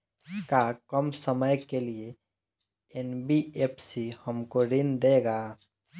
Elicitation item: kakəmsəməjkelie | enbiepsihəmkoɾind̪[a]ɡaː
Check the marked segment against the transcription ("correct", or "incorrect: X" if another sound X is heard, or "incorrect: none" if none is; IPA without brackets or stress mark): incorrect: e